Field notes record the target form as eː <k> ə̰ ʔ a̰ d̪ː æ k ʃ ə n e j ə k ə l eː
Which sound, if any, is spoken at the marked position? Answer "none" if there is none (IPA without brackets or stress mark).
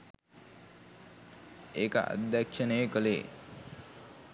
k